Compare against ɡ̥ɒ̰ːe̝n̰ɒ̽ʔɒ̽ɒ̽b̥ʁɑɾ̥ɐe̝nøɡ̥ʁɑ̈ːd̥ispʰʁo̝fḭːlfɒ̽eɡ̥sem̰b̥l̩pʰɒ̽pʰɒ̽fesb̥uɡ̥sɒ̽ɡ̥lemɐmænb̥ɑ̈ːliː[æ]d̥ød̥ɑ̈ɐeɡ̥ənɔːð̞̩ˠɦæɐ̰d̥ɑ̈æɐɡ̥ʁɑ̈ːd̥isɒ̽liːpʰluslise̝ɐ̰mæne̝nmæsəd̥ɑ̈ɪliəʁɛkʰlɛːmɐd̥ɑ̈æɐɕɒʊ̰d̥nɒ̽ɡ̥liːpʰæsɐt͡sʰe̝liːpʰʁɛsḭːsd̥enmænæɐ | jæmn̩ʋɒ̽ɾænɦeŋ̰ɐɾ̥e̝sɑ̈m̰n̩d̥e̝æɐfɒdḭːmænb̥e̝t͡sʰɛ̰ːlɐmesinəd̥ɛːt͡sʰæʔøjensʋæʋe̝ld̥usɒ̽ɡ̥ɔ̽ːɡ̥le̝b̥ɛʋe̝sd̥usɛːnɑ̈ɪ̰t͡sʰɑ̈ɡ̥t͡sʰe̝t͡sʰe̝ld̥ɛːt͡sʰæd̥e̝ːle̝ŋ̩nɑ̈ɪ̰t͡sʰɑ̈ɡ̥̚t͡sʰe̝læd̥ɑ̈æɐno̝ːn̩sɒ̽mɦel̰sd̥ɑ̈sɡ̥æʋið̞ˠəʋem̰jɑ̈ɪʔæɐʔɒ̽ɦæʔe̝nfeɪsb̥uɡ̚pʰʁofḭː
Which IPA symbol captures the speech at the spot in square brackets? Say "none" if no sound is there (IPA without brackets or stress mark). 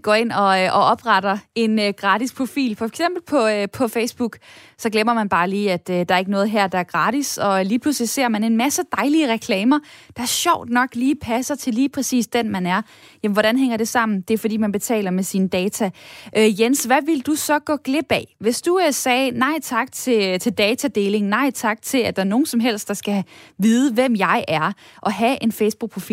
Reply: æ